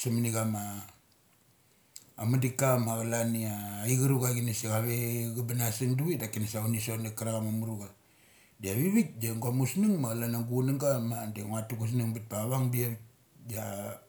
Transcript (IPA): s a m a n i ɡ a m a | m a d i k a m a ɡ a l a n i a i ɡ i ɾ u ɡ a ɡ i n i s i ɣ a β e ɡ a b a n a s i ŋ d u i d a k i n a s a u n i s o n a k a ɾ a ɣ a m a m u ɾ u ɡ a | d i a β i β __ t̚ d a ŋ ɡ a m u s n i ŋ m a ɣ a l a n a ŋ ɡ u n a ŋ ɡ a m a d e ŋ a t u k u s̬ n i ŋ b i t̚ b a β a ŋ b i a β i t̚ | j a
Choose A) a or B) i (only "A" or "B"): B